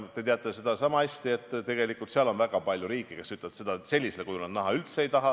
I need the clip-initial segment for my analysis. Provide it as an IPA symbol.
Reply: t̪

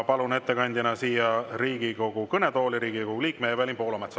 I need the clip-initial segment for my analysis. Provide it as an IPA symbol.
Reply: p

